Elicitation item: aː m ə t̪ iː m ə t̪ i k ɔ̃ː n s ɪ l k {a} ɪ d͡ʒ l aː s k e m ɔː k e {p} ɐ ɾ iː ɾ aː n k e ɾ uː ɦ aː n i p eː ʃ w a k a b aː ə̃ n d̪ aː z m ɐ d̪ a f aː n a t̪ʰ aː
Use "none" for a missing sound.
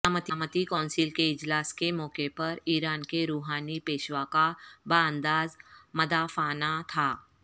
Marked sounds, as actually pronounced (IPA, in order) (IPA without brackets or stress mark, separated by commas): e, p